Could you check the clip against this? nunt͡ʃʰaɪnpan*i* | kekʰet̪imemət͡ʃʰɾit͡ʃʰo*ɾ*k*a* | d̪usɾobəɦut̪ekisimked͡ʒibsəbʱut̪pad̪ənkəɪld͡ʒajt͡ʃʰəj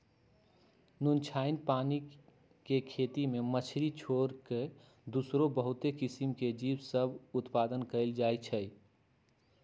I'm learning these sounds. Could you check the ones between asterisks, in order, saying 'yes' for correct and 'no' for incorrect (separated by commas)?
yes, yes, no